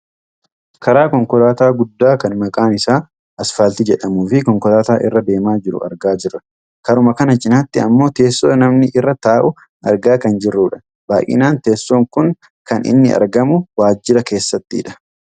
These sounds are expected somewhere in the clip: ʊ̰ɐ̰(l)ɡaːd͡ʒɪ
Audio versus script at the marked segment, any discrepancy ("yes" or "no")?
yes